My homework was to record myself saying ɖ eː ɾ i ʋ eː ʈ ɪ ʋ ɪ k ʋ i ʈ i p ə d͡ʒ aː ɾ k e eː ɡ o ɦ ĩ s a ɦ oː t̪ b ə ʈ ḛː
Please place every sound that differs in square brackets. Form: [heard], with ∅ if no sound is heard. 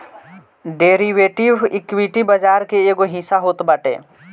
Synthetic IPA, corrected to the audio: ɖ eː ɾ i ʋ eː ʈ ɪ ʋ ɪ k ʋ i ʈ i [b] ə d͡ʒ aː ɾ k e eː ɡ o ɦ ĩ s a ɦ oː t̪ b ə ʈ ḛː